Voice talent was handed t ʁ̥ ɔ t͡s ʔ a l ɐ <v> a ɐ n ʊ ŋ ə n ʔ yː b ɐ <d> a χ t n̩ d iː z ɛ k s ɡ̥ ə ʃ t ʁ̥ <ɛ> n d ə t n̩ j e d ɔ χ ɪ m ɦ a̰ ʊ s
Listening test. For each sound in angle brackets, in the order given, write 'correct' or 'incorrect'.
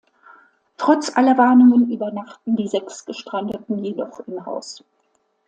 correct, incorrect: n, incorrect: a

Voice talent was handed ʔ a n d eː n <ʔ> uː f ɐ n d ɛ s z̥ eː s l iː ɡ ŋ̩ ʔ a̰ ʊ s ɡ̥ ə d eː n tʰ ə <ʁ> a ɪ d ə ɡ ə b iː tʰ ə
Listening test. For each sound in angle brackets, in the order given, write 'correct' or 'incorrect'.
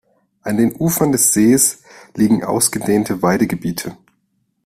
correct, incorrect: v

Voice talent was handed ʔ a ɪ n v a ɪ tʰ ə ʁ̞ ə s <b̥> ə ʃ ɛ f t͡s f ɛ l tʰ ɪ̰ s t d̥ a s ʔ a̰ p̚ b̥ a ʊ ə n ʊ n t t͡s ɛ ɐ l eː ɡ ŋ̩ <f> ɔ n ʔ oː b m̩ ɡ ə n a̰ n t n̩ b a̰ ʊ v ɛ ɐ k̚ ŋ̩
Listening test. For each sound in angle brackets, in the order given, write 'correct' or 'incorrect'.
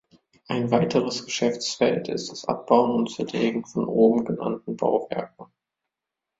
incorrect: ɡ̥, correct

